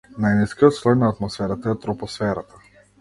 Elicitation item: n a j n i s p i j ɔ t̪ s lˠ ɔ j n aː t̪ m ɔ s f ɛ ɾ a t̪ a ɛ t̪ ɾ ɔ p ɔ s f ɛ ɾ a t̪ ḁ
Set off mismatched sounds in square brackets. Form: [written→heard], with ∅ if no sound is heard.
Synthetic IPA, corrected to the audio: n a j n i s [p→k] i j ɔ t̪ s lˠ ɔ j n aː t̪ m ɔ s f ɛ ɾ a t̪ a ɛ t̪ ɾ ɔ p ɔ s f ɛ ɾ a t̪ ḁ